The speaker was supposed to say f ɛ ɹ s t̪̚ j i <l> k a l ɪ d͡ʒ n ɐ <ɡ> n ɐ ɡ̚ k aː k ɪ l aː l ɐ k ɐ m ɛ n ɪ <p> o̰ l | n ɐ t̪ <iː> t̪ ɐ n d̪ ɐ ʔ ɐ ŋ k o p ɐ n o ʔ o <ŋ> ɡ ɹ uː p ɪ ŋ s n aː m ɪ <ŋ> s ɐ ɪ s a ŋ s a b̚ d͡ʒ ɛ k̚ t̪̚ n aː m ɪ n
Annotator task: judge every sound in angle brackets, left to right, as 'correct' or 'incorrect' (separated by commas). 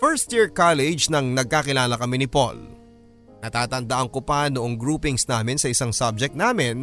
incorrect, incorrect, correct, incorrect, correct, incorrect